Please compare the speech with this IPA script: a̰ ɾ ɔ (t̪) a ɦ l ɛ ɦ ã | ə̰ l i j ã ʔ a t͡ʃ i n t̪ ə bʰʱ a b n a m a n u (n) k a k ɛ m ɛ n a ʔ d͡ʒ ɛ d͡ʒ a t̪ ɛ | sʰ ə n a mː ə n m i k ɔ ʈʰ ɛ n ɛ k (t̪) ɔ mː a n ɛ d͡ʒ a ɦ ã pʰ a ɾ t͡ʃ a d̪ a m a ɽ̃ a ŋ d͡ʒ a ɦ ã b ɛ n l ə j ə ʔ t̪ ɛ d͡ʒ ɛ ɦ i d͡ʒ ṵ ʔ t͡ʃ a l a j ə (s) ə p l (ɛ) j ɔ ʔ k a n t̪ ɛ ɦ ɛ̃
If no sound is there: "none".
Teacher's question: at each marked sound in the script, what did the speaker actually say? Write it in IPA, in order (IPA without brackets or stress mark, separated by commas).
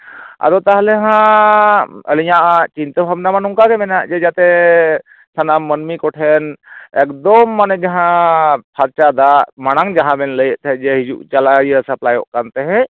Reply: t̪, ŋ, d̪, s, a